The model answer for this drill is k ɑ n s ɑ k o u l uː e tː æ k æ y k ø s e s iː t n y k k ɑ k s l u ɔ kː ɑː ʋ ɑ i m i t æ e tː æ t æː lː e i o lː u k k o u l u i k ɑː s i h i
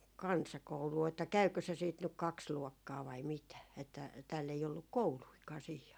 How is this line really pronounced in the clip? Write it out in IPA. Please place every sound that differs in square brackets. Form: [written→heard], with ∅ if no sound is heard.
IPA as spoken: k ɑ n s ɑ k o u l uː e tː æ k æ y k ø s e s iː t n y k k ɑ k s l u ɔ kː ɑː ʋ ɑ i m i t æ e tː æ t æː lː e i o lː u k k o u l u i k ɑː s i h i